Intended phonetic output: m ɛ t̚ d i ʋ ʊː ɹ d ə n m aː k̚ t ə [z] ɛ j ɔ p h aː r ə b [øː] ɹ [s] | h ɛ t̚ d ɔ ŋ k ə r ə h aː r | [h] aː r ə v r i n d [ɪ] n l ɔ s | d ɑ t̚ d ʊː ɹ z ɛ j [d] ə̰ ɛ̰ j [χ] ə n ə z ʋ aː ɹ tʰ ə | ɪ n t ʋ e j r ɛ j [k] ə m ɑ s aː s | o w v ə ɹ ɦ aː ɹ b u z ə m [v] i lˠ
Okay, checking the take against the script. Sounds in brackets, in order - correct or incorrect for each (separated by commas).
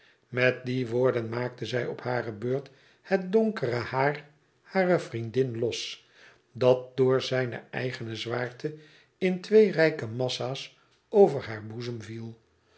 correct, correct, incorrect, correct, correct, incorrect, correct, correct, correct